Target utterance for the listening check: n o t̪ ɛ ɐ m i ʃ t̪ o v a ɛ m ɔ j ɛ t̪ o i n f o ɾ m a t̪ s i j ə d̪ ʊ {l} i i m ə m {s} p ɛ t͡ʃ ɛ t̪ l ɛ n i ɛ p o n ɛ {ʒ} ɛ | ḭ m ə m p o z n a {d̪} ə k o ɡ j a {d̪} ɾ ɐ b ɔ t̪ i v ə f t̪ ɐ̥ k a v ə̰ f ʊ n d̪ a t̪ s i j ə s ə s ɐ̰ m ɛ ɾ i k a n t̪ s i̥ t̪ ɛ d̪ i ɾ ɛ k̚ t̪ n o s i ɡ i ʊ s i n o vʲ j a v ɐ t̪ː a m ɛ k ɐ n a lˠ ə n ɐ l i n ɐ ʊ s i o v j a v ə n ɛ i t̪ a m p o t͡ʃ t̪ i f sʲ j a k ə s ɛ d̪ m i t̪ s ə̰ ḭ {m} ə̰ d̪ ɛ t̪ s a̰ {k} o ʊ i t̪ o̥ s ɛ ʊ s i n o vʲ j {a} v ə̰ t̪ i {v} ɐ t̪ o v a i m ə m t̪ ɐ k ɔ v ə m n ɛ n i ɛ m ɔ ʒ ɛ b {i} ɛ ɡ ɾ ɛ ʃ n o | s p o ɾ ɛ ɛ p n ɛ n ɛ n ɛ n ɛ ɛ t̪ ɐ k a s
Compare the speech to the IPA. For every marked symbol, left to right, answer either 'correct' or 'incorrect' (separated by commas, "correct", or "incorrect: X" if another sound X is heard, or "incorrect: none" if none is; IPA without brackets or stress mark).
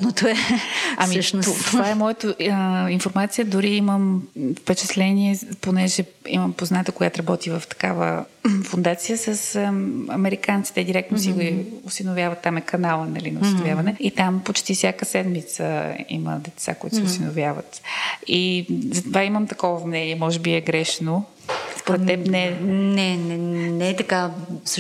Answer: incorrect: ɾ, incorrect: f, correct, incorrect: t̪, incorrect: t̪, correct, correct, correct, incorrect: z, correct